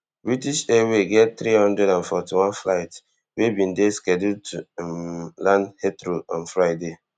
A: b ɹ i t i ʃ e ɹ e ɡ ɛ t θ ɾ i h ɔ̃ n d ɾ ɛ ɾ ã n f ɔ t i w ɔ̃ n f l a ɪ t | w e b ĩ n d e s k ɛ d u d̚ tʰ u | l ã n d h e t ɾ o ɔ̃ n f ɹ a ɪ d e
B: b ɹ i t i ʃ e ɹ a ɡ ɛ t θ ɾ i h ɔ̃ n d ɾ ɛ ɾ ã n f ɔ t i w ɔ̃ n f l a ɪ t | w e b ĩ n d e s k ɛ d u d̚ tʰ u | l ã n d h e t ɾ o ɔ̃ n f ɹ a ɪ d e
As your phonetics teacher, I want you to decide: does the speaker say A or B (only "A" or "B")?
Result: A